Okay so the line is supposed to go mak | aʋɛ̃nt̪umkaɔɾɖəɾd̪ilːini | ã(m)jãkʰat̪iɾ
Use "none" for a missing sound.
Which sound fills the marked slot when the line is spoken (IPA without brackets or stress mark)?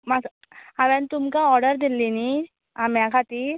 m